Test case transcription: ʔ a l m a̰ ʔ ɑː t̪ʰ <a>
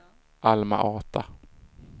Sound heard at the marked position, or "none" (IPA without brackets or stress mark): a